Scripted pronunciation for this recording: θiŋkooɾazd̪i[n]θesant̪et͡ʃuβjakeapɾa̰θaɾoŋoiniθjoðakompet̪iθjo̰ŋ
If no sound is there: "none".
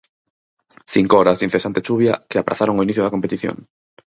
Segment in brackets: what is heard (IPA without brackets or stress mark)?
n